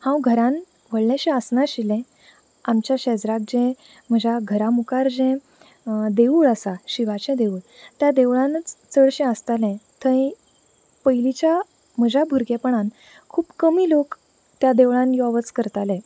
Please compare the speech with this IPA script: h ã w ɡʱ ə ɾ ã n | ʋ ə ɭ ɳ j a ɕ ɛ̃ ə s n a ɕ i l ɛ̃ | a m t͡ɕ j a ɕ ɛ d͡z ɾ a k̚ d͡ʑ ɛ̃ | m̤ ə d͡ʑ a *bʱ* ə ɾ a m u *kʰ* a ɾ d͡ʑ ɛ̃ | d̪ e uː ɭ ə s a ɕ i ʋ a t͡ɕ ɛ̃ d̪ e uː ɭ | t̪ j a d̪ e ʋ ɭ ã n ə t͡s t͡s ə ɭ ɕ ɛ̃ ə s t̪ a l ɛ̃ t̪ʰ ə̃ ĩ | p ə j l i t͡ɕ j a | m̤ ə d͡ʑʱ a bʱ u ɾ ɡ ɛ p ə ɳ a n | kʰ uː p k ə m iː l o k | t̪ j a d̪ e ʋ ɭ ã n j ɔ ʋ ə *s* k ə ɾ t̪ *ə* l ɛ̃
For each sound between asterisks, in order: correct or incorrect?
incorrect: ɡʱ, incorrect: k, incorrect: t͡s, incorrect: a

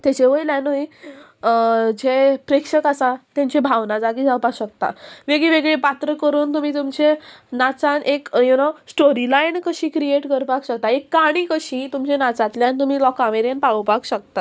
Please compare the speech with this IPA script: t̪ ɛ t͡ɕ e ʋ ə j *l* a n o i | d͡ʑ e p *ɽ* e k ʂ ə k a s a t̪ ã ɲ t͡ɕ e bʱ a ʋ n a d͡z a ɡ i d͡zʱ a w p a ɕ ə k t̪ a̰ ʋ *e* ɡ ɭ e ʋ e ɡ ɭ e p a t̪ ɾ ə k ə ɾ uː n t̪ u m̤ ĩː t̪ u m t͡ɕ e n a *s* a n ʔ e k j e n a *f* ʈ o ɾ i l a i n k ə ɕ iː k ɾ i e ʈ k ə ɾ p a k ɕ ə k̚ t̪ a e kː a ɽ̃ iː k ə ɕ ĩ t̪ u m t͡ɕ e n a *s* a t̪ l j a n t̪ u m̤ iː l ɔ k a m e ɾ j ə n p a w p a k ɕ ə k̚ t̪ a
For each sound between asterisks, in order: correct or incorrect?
correct, incorrect: ɾ, correct, incorrect: t͡s, incorrect: s, incorrect: t͡s

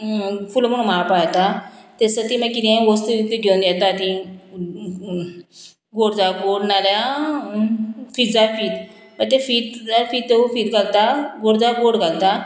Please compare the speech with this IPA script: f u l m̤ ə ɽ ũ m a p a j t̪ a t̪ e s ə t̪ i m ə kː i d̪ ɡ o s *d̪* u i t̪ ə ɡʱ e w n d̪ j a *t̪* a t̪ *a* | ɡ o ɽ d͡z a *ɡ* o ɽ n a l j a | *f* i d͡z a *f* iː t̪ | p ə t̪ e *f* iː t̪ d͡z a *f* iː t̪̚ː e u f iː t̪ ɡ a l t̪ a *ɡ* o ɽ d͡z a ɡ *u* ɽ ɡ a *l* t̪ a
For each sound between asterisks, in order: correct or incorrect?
incorrect: t̪, correct, incorrect: i, correct, correct, correct, correct, correct, correct, incorrect: o, correct

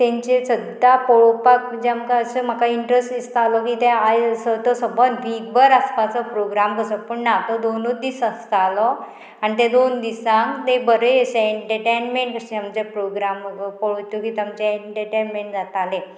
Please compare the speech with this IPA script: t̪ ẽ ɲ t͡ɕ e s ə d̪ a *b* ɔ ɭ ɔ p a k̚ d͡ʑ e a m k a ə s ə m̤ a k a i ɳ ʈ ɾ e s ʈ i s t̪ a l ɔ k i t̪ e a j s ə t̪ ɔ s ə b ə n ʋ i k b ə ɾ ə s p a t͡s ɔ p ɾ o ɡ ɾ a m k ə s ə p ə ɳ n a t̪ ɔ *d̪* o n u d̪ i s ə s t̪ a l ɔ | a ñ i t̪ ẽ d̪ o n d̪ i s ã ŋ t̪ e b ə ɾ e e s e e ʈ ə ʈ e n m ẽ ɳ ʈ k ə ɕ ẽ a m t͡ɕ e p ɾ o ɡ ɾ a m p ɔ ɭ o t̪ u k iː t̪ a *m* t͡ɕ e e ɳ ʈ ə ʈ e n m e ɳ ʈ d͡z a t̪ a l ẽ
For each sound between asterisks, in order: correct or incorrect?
incorrect: p, correct, correct

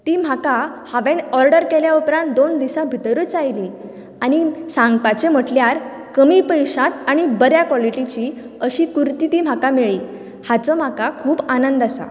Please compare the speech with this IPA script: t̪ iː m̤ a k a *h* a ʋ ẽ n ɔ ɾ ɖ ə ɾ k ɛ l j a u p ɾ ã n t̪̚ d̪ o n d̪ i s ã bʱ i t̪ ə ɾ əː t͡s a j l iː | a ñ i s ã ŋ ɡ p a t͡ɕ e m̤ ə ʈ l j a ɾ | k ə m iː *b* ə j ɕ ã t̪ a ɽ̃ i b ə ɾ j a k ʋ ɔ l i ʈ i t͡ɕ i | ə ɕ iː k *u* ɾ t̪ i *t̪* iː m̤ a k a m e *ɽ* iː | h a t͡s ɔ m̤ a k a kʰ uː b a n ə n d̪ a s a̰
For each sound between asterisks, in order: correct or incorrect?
correct, incorrect: p, correct, correct, incorrect: ɭ

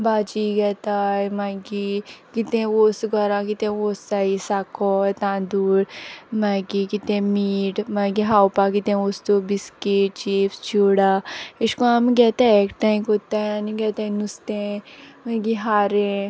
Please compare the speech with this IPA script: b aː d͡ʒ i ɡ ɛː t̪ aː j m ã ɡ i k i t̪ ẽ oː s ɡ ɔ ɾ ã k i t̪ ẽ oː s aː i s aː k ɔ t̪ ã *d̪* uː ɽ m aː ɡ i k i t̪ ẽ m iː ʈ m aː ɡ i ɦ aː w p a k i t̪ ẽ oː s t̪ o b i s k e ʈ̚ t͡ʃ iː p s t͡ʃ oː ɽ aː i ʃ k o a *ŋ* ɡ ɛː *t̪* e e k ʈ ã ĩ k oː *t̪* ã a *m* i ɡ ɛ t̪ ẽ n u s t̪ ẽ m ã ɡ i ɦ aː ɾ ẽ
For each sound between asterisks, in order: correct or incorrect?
correct, incorrect: m, correct, correct, incorrect: n

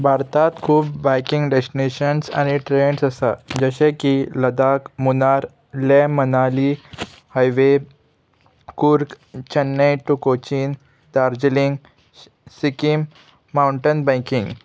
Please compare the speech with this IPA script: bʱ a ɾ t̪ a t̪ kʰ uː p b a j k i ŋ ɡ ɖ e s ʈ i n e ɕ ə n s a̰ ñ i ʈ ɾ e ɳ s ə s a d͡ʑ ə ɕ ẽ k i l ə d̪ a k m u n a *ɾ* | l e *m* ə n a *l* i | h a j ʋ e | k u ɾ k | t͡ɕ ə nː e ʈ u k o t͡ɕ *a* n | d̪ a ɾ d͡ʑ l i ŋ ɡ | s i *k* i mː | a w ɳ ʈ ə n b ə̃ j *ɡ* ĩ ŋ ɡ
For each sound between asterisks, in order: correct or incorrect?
correct, correct, correct, incorrect: i, correct, incorrect: k

